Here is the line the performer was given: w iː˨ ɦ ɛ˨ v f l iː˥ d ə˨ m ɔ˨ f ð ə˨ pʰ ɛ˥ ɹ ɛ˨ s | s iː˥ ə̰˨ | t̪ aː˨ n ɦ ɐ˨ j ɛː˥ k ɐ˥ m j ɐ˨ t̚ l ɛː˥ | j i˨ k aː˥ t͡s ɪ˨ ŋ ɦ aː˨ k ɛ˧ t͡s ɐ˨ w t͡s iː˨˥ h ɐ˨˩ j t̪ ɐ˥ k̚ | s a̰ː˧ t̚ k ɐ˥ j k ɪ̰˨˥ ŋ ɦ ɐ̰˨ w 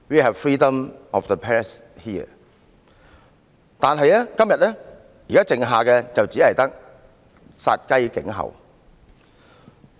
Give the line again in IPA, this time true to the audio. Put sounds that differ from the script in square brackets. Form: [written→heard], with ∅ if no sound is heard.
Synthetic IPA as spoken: w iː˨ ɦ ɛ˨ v f [l→ɹ] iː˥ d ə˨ m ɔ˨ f ð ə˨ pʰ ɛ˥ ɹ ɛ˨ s | [s→h] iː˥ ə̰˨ | t̪ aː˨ n ɦ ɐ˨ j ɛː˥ k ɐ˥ m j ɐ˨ t̚ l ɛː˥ | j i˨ k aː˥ t͡s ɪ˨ ŋ ɦ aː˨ k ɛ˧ t͡s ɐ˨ w t͡s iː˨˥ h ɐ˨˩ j t̪ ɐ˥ k̚ | s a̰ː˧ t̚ k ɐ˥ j k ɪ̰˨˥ ŋ ɦ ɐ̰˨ w